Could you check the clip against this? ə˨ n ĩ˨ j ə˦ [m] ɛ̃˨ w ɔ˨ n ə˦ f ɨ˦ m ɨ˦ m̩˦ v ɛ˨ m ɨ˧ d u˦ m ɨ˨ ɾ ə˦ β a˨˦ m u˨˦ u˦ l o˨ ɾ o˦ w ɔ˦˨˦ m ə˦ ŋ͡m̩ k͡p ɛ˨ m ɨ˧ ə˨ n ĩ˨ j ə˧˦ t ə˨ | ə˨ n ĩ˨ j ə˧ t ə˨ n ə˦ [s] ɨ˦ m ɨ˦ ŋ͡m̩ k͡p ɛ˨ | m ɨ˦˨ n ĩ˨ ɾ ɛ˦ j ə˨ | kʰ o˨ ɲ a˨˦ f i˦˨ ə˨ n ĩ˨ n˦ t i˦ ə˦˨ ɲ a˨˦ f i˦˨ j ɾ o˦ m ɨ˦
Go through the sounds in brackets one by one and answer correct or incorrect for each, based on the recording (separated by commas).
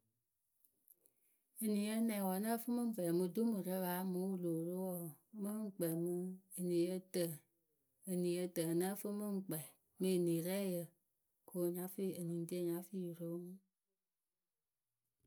incorrect, incorrect